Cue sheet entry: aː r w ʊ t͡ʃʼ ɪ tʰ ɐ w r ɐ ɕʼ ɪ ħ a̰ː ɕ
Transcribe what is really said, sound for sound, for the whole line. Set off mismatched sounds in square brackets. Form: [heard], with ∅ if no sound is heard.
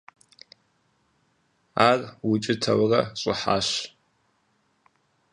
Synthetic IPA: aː r w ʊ t͡ʃʼ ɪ tʰ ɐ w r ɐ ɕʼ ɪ ħ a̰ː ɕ